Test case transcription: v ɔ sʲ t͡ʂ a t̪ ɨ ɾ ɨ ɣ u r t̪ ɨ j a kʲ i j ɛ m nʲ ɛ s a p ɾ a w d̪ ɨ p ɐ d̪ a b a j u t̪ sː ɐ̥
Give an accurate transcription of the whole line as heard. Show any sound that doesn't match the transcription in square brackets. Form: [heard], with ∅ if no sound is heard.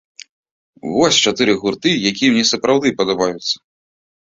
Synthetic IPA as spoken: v ɔ sʲ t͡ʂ a t̪ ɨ ɾ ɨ ɣ u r t̪ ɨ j a kʲ i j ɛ m nʲ ɛ s [ɐ] p ɾ a w d̪ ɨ p ɐ d̪ a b a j u t̪ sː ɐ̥

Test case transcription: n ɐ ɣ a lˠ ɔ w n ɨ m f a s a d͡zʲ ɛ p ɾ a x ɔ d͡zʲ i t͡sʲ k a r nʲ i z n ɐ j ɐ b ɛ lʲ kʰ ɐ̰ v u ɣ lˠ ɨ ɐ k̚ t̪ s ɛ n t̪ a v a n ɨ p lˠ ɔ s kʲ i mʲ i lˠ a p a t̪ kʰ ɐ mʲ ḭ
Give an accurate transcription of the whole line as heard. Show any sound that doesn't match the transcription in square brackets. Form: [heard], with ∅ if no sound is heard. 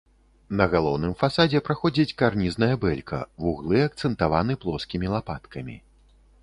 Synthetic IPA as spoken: n ɐ ɣ a lˠ ɔ w n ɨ m f a s a d͡zʲ ɛ p ɾ a x ɔ d͡zʲ i t͡sʲ k a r nʲ i z n ɐ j ɐ b ɛ lʲ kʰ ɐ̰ v u ɣ lˠ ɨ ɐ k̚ t̪ s ɛ n t̪ a v a n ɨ p lˠ ɔ s kʲ i mʲ i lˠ a p a t̪ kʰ ɐ mʲ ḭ

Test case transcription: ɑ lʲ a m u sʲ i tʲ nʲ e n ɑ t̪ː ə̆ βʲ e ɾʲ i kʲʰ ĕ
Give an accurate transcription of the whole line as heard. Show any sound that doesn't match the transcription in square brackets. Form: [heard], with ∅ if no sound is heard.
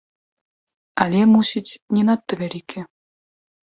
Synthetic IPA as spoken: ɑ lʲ [e] m u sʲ i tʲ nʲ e n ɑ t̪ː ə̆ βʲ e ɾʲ i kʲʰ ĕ

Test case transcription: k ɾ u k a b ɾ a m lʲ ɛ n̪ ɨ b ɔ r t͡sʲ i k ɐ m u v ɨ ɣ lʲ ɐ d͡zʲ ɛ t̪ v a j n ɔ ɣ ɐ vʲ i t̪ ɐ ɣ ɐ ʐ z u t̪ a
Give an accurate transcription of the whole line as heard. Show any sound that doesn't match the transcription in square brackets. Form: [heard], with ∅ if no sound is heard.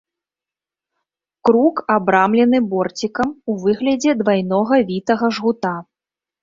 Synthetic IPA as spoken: k ɾ u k a b ɾ a m lʲ ɛ n̪ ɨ b ɔ r t͡sʲ i k ɐ m u v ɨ ɣ lʲ ɐ d͡zʲ ɛ [d̪] v a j n ɔ ɣ ɐ vʲ i t̪ ɐ ɣ ɐ ʐ [ɣ] u t̪ a

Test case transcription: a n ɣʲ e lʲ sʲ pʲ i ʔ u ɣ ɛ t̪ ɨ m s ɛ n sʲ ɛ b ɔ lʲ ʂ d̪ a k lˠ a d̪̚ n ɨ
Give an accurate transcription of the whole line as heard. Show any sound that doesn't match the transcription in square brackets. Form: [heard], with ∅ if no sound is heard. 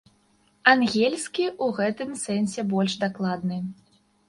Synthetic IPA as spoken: a n ɣʲ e lʲ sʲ [kʲ] i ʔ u ɣ ɛ t̪ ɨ m s ɛ n sʲ ɛ b ɔ lʲ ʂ d̪ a k lˠ a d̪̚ n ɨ

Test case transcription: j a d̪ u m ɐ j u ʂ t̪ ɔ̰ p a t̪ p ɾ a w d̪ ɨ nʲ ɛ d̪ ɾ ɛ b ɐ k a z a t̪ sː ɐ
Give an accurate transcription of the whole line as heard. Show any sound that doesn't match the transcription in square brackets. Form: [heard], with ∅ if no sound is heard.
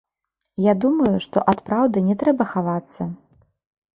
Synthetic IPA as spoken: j a d̪ u m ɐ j u ʂ t̪ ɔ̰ [ʔ] a t̪ p ɾ a w d̪ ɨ nʲ ɛ [t̪] ɾ ɛ b ɐ [x] a [v] a t̪ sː ɐ

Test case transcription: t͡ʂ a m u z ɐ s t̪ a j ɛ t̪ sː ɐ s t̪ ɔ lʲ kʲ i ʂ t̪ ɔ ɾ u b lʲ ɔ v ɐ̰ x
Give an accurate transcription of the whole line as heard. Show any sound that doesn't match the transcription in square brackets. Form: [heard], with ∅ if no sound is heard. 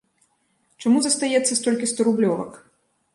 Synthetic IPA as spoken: t͡ʂ a m u z ɐ s t̪ a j ɛ t̪ sː ɐ s t̪ ɔ lʲ kʲ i [s] t̪ ɔ ɾ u b lʲ ɔ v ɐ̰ [k]

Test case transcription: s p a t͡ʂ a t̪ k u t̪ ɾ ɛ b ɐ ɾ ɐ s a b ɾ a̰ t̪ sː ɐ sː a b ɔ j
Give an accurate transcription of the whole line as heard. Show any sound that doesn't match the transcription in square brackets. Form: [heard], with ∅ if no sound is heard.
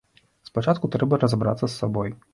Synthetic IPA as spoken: s p a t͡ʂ a t̪ k u t̪ ɾ ɛ b ɐ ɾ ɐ [z] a b ɾ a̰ t̪ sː ɐ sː a b ɔ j

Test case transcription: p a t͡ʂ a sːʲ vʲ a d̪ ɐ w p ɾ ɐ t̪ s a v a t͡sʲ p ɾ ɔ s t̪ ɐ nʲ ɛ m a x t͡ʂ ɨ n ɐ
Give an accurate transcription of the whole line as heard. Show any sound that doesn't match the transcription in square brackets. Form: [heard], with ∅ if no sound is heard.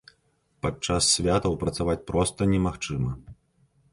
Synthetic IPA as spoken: p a t͡ʂ a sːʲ vʲ a [t̪] ɐ w p ɾ ɐ t̪ s a v a t͡sʲ p ɾ ɔ s t̪ ɐ nʲ ɛ m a x t͡ʂ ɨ [m] ɐ

